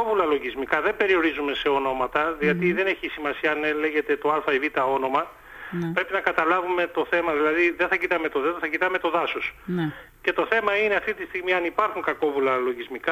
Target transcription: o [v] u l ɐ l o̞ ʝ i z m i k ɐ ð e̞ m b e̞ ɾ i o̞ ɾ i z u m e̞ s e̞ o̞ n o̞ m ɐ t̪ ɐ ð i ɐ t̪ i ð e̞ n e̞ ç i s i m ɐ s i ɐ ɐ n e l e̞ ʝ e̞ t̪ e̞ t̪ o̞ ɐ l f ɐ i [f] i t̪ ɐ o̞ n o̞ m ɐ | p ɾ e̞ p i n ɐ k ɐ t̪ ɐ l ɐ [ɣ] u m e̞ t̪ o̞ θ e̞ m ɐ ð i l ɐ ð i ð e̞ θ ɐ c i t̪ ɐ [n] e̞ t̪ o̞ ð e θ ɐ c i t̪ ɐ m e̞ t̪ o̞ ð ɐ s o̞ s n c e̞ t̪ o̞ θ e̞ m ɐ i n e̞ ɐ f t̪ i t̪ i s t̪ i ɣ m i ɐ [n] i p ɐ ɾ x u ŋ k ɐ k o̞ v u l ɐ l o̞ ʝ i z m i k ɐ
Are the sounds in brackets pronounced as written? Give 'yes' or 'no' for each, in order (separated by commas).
yes, no, no, no, yes